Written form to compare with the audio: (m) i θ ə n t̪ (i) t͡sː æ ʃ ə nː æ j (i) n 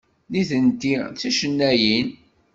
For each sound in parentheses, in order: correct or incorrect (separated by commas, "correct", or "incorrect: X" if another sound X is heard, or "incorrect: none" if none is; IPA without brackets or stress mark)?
incorrect: n, correct, correct